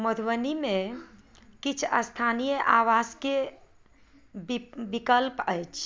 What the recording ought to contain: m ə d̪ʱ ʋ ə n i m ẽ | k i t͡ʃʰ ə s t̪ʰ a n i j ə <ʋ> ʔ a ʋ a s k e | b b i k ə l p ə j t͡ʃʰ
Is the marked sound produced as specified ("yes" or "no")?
no